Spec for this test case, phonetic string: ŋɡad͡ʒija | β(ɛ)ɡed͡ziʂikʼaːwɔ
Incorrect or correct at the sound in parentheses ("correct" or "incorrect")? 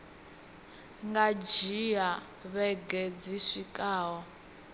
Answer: correct